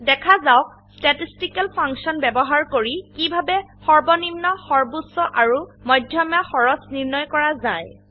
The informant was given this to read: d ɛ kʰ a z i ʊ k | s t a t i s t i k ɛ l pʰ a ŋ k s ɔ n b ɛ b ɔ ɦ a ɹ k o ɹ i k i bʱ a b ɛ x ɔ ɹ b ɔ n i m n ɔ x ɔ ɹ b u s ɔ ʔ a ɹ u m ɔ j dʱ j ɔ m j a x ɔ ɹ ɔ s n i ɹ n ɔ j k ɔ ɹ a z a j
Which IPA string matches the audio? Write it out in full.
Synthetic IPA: d ɛ kʰ a z a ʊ k | s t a t i s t i k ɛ l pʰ a ŋ k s ɔ n b ɛ b ɔ ɦ a ɹ k o ɹ i k i bʱ a b ɛ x ɔ ɹ b ɔ n i m n ɔ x ɔ ɹ b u s ɔ ʔ a ɹ u m ɔ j dʱ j ɔ m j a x ɔ ɹ ɔ s n i ɹ n ɔ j k ɔ ɹ a z a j